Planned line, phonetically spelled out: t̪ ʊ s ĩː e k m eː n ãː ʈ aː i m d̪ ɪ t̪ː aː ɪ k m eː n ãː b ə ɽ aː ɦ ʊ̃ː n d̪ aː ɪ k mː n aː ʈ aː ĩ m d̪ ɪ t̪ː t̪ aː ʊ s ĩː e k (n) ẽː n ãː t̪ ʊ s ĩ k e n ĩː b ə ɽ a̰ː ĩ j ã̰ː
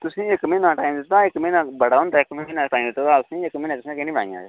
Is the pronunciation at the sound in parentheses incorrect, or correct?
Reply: incorrect